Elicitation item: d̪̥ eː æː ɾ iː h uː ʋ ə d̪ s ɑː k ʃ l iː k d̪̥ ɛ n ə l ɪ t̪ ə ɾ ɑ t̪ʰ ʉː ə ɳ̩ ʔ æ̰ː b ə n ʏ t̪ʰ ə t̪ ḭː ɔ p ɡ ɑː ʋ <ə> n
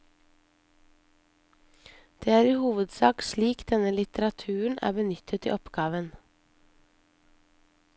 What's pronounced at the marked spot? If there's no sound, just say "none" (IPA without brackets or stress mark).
ə